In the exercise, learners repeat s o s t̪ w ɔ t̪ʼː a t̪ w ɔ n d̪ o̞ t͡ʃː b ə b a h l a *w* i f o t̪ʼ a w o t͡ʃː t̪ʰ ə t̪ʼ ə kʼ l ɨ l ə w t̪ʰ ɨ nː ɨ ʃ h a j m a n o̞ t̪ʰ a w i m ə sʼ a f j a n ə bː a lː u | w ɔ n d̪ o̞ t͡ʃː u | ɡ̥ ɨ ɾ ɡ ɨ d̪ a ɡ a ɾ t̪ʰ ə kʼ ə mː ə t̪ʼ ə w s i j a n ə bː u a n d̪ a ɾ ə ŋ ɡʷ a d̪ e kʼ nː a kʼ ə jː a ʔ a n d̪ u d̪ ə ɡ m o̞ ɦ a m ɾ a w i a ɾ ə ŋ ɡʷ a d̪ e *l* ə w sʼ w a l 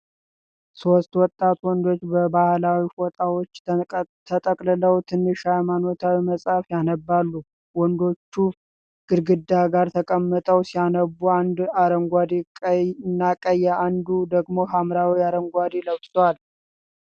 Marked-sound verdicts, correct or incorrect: correct, correct

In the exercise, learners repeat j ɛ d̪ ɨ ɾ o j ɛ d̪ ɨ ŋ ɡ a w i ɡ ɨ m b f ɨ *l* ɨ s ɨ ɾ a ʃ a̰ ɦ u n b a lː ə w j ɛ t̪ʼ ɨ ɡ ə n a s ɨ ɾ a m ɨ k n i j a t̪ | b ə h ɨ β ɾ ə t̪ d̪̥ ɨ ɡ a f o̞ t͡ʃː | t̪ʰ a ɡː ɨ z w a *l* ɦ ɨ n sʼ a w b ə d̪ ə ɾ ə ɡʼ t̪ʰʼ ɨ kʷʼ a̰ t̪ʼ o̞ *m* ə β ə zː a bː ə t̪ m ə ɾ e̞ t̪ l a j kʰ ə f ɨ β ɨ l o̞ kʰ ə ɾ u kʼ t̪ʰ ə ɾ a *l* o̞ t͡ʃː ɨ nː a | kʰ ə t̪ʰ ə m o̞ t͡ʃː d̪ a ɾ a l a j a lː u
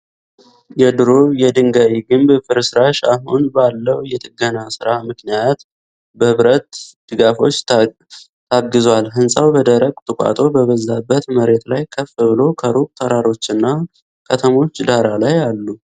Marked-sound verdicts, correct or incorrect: incorrect: ɾ, correct, incorrect: b, incorrect: ɾ

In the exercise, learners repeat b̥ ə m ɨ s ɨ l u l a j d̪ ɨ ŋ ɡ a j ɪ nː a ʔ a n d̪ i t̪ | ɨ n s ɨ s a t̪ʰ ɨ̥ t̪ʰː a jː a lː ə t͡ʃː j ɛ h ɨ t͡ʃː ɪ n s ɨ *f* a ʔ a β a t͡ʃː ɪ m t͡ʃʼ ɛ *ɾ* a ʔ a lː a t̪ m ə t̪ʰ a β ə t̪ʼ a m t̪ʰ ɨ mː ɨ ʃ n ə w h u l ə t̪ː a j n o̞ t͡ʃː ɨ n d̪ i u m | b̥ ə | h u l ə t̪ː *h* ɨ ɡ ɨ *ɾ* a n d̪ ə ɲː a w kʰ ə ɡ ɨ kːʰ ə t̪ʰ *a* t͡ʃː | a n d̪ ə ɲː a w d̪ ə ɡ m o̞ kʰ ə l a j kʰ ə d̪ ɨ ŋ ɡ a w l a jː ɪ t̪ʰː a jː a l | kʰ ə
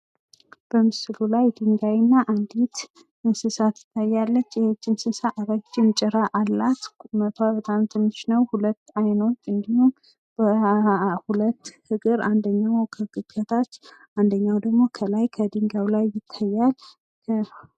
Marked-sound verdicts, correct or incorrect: incorrect: s, correct, correct, correct, correct

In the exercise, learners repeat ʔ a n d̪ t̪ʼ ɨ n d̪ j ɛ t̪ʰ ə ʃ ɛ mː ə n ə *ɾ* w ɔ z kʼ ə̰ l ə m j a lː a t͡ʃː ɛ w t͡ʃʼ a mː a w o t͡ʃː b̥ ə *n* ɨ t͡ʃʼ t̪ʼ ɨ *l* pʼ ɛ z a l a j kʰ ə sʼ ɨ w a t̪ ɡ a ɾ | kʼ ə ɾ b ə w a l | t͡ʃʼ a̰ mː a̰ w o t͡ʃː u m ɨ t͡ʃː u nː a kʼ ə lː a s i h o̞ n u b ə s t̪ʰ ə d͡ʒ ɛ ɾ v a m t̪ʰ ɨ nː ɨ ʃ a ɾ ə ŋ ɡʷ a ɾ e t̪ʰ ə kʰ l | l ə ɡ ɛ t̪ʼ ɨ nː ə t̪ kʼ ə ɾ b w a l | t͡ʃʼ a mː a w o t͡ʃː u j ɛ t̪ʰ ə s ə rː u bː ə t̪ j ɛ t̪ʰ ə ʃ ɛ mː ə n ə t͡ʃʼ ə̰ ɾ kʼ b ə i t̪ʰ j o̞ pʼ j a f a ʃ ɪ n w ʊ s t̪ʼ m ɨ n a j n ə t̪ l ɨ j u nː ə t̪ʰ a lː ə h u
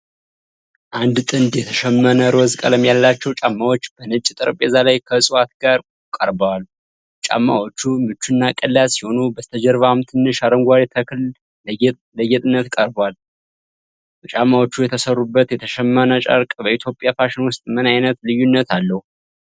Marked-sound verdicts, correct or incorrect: correct, correct, incorrect: ɾ

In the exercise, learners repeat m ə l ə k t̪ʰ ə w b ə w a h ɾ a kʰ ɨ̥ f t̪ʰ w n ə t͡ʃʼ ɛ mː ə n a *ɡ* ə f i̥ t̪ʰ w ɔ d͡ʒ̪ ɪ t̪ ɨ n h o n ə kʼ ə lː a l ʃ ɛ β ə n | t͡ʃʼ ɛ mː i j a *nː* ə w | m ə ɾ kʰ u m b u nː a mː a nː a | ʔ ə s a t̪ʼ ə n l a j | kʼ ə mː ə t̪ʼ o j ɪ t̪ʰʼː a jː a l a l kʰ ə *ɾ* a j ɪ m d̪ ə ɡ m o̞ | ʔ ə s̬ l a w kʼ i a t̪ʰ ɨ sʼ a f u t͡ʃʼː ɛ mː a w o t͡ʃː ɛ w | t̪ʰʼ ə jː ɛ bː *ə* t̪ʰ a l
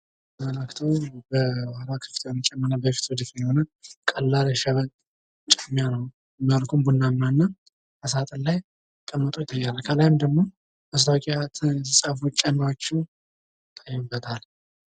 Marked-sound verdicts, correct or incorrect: incorrect: b, incorrect: n, incorrect: l, correct

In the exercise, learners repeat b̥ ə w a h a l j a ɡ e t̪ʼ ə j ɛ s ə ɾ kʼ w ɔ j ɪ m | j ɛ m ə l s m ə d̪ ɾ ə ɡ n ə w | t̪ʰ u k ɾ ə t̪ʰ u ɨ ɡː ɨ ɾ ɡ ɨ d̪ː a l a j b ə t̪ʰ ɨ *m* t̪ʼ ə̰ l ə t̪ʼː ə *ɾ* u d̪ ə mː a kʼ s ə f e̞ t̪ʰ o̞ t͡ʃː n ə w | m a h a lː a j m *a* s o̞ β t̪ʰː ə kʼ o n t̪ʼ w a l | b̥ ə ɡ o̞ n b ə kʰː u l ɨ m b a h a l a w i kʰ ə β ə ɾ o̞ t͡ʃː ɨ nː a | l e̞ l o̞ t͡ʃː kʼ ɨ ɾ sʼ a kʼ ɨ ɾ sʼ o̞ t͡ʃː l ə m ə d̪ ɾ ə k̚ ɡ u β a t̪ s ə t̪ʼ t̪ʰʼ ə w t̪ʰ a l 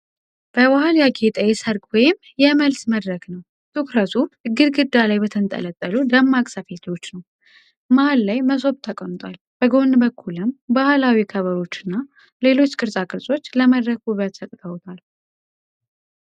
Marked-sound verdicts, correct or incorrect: incorrect: n, incorrect: l, incorrect: ə

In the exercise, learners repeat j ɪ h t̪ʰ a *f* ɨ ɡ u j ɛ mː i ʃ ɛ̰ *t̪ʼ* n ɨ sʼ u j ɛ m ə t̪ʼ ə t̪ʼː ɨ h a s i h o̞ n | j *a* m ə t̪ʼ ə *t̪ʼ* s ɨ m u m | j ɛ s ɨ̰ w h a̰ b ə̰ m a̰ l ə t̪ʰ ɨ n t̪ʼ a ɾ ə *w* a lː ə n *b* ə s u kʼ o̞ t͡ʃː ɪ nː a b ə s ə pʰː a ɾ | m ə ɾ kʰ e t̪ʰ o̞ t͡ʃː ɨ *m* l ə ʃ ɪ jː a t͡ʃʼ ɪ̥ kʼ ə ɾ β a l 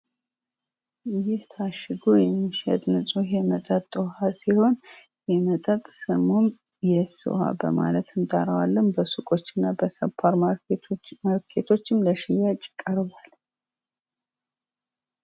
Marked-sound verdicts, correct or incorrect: incorrect: ʃ, correct, incorrect: ɛ, correct, correct, correct, correct

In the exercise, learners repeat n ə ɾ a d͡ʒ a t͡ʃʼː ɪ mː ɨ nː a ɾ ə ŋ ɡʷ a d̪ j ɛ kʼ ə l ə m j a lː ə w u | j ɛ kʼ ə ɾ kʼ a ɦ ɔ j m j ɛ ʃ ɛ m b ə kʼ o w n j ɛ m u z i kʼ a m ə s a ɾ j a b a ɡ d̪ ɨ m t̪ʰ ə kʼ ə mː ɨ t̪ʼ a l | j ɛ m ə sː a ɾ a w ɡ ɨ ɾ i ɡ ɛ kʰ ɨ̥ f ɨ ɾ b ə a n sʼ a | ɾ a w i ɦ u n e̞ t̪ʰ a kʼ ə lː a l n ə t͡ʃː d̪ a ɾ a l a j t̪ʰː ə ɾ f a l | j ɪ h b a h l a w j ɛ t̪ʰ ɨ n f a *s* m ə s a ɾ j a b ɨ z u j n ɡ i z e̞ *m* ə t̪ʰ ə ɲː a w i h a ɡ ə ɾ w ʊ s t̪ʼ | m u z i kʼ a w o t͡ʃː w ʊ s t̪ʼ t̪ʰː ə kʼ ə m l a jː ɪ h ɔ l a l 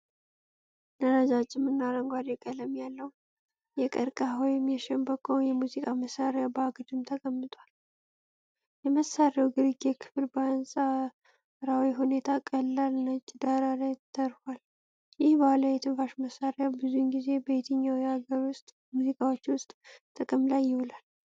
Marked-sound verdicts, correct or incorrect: incorrect: ʃ, incorrect: b

